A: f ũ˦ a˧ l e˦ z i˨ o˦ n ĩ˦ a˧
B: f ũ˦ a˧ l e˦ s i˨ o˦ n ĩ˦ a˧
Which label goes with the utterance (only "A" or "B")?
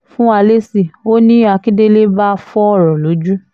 B